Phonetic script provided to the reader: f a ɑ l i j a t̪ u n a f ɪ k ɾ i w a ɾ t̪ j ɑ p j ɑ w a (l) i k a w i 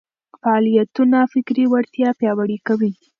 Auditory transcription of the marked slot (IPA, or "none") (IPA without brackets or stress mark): ɽ